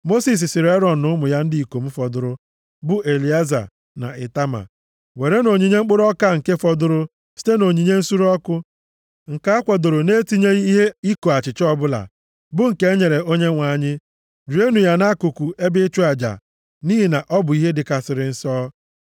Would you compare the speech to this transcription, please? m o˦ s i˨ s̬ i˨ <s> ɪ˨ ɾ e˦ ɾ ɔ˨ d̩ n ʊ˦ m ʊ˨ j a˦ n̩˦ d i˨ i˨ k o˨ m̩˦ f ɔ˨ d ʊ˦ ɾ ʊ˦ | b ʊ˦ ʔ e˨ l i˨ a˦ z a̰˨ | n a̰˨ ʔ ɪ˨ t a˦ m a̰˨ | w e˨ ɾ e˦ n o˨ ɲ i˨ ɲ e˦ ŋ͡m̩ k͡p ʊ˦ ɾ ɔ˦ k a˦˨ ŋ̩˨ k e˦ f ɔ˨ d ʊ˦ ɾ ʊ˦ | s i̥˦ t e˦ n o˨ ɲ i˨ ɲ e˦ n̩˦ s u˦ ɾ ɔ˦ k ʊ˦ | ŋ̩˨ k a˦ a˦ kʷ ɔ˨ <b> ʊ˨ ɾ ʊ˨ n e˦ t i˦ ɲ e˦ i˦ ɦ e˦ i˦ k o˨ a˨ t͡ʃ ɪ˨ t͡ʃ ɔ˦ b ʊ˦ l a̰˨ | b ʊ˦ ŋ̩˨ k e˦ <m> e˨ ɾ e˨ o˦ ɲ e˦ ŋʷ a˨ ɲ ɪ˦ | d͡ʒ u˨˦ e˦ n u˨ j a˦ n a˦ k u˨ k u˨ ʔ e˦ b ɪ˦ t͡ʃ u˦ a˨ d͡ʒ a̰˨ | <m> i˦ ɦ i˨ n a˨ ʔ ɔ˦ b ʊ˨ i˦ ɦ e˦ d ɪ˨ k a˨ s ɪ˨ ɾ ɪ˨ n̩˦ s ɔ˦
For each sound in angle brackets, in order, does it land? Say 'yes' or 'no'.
yes, no, no, no

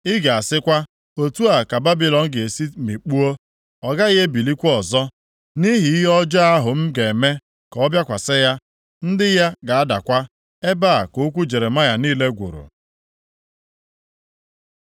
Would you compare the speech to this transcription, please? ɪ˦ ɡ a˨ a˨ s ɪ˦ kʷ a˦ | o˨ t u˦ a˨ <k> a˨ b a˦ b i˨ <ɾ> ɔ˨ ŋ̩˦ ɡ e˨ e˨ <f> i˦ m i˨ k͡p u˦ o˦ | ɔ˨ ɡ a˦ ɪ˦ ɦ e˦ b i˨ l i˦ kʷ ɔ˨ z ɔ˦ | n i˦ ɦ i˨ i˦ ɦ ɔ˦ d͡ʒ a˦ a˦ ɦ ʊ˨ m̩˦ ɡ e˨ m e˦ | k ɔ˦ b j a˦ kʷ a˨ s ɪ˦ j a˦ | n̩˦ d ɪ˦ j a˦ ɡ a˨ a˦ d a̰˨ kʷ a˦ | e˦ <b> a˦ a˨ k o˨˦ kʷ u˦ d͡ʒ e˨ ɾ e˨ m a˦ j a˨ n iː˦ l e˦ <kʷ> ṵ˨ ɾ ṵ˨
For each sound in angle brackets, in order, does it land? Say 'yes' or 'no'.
yes, no, no, yes, no

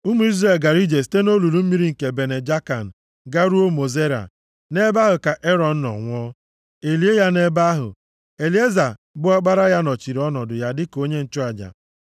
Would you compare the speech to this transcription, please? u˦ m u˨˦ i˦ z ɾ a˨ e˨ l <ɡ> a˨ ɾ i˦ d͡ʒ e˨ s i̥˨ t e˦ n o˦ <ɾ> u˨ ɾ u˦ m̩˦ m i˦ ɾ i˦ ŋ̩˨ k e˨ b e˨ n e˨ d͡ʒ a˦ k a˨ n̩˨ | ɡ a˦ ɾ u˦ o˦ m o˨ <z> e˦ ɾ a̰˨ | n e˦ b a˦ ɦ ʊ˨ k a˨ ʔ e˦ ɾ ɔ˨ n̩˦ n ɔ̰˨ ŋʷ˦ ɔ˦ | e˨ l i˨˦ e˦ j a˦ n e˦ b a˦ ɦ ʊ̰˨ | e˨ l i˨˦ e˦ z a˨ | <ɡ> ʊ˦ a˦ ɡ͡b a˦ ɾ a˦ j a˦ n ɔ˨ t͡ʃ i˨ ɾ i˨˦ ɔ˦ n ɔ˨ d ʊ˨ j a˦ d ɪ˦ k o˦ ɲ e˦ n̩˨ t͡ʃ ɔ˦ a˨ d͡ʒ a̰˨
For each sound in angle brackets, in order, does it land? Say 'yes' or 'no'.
yes, no, yes, no

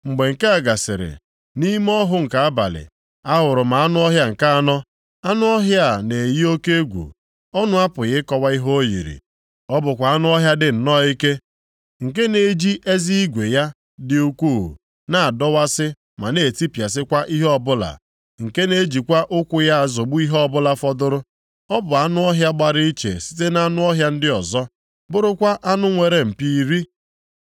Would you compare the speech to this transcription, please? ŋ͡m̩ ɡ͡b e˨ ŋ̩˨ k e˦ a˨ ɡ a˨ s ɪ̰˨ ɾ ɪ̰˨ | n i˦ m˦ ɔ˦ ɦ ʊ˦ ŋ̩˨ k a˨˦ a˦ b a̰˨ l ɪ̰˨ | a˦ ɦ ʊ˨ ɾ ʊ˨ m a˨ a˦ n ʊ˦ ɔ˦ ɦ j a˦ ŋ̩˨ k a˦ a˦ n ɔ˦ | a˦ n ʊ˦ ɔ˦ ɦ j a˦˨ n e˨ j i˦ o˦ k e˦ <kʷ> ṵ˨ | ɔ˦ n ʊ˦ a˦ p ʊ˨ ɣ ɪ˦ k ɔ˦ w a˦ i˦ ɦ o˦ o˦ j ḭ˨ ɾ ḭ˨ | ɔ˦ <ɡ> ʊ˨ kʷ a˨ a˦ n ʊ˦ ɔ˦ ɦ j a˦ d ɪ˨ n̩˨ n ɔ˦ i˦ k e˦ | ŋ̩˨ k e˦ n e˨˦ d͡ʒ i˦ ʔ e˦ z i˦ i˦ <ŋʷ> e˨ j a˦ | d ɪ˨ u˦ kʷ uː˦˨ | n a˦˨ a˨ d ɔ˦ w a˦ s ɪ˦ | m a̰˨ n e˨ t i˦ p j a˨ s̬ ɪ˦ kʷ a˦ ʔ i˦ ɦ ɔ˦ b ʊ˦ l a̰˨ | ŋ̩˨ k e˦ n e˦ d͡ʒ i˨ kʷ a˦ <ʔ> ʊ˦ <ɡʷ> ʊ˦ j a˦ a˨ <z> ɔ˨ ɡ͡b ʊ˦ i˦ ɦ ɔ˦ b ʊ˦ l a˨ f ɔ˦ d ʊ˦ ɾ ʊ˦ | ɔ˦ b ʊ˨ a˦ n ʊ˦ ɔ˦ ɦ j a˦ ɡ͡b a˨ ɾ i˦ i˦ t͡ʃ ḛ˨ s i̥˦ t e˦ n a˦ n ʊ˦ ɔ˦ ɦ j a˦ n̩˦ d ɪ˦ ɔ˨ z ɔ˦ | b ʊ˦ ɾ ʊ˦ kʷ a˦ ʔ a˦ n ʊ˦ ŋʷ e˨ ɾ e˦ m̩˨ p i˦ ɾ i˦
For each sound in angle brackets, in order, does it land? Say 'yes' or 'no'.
no, no, no, yes, no, yes

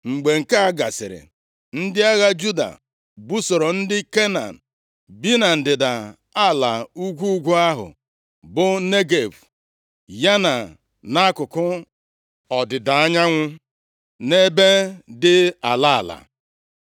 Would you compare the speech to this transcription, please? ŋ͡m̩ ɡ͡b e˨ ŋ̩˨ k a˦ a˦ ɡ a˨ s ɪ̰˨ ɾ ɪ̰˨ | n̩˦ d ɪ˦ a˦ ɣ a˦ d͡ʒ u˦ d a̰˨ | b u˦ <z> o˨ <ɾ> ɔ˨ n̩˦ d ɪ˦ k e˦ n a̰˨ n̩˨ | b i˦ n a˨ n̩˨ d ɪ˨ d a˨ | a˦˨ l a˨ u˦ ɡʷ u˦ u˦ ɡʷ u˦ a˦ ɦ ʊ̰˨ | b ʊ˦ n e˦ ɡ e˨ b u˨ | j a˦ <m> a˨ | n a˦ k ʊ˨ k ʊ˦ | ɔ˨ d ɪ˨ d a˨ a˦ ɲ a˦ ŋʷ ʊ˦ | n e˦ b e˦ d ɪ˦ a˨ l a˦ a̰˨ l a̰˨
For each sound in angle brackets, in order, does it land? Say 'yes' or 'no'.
no, yes, no

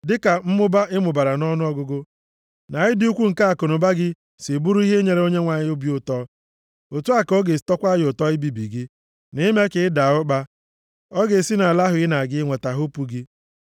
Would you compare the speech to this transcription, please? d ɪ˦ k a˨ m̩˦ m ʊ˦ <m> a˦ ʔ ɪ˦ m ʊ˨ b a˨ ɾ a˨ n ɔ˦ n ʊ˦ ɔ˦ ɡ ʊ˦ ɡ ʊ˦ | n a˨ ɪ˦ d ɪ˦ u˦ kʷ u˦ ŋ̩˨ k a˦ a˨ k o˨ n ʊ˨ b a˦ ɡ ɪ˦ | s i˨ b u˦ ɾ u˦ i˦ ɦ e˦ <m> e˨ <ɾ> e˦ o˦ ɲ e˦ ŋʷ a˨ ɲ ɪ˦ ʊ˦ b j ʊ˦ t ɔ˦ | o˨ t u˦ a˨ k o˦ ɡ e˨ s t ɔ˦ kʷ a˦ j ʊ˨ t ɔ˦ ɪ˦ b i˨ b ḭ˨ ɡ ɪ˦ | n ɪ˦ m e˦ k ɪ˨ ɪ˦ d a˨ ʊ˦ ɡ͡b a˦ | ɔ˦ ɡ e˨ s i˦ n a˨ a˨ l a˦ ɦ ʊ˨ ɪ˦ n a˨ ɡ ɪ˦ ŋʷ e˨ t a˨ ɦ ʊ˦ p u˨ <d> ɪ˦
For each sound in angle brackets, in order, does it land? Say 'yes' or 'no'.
no, no, yes, no

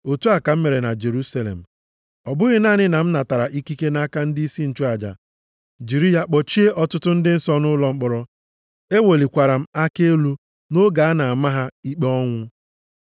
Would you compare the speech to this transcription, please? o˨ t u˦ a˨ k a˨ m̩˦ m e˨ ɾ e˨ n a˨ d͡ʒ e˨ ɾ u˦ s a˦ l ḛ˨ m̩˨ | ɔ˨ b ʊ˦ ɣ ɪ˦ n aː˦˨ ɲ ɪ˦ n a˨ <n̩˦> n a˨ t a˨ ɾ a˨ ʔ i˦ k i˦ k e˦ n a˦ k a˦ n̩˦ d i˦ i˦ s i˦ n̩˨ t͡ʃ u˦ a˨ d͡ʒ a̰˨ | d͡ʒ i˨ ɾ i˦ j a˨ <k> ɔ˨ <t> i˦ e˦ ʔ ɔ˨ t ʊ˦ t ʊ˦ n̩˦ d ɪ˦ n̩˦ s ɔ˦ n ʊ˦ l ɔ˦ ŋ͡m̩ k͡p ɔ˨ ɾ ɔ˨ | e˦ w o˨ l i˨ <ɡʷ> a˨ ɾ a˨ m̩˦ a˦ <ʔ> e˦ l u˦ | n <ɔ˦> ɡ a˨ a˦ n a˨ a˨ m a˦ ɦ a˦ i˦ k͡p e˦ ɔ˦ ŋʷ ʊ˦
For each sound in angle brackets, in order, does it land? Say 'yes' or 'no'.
no, no, no, no, no, no

